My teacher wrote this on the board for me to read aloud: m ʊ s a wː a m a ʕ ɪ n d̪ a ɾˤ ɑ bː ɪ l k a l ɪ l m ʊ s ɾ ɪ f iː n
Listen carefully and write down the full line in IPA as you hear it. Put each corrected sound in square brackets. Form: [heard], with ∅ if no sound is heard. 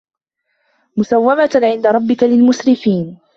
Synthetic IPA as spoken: m ʊ s a wː a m a ʕ ɪ n d̪ a ɾˤ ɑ bː ɪ [∅] k a l ɪ l m ʊ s ɾ ɪ f iː n